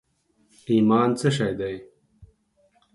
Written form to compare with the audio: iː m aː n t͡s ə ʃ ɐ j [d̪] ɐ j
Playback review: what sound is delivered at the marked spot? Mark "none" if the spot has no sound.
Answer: d̪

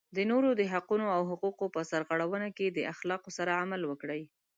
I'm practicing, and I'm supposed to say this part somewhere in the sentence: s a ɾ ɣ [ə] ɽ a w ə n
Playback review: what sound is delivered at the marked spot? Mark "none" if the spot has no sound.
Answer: a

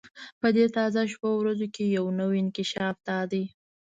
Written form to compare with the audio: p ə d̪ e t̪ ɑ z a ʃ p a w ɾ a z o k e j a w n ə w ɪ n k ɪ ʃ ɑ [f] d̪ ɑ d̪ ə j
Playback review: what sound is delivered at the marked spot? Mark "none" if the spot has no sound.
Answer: f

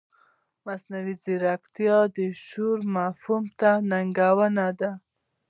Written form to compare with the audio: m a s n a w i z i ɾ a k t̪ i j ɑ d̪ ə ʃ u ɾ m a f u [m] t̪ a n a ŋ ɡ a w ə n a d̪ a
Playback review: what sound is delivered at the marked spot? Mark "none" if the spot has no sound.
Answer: m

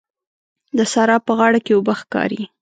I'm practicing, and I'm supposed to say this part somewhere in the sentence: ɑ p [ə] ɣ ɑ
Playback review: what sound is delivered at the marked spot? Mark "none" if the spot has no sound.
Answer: ə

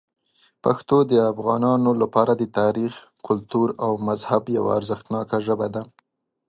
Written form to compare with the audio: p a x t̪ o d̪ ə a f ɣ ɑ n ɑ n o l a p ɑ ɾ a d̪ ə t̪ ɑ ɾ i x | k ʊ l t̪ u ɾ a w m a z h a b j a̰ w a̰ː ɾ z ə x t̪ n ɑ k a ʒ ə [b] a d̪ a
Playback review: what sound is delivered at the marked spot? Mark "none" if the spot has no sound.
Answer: b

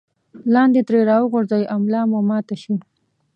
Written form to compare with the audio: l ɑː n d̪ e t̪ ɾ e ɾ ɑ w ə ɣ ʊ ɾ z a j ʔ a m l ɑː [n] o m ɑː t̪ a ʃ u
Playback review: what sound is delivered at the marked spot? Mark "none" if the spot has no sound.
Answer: m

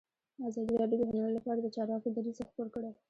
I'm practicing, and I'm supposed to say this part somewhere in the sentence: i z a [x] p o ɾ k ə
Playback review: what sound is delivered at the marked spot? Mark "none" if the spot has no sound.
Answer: x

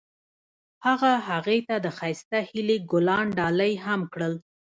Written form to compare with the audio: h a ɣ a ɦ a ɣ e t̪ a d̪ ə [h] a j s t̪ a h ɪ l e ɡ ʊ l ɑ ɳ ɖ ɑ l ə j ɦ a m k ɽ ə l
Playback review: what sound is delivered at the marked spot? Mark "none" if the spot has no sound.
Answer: x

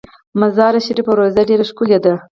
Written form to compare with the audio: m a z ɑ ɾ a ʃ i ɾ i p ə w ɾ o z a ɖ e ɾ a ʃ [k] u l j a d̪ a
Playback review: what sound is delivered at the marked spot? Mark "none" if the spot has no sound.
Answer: k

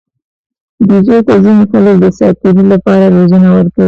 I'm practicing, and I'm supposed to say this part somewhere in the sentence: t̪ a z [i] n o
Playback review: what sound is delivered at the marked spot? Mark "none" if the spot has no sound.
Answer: i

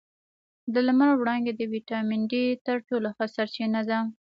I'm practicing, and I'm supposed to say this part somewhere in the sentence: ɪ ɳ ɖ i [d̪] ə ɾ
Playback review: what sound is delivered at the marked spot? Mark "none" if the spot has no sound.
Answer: t̪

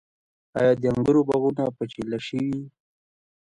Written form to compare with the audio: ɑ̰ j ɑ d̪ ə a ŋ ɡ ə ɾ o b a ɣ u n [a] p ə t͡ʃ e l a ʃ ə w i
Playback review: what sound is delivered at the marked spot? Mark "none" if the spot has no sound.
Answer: a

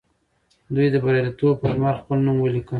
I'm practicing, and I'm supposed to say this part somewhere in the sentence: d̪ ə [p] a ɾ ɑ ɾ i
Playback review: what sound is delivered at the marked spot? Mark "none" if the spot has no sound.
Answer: b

